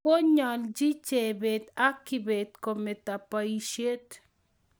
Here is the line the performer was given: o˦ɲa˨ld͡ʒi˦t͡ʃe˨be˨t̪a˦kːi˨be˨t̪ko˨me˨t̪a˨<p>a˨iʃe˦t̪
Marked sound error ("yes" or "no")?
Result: no